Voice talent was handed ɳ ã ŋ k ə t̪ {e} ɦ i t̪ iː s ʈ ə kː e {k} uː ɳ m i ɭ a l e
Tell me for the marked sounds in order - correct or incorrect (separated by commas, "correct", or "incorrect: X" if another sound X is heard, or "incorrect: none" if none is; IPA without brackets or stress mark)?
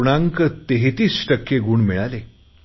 correct, incorrect: ɡ